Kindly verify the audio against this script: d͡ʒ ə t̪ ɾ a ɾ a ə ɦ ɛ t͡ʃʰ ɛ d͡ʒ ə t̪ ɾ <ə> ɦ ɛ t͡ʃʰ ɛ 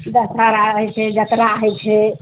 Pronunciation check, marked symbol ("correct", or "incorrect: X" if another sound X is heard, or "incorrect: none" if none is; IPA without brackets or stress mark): incorrect: a